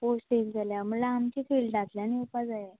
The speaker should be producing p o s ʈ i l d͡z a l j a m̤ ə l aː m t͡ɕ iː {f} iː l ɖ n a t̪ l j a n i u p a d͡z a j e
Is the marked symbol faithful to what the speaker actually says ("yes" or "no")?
yes